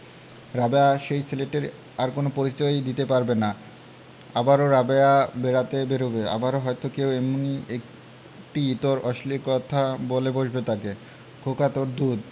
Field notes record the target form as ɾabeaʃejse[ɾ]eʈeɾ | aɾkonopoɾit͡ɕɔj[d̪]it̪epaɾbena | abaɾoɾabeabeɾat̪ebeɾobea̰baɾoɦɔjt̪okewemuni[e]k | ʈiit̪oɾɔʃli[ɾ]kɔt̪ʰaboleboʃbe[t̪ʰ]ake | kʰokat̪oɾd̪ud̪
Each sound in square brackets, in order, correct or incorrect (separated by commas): incorrect, correct, correct, correct, incorrect